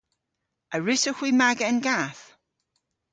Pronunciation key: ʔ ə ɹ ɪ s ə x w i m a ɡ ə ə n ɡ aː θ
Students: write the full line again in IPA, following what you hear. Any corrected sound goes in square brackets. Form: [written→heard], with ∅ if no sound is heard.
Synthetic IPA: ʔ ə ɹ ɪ s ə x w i m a ɡ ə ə n ɡ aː θ